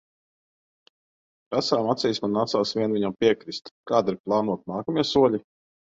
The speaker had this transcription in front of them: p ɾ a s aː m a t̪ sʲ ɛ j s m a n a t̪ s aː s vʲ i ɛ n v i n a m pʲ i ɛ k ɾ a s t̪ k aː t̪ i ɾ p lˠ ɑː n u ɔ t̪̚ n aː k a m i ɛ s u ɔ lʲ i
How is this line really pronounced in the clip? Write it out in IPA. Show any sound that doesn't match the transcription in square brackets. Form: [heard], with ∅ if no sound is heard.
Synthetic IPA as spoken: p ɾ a s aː m a t̪ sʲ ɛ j s m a n a t̪ s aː s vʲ i ɛ n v i [ɲ] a m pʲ i ɛ k ɾ [i] s t̪ k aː [d̪] i ɾ p lˠ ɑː n u ɔ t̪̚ n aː k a m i ɛ s u ɔ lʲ i